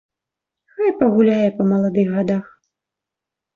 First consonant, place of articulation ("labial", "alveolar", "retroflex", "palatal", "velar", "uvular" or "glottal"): velar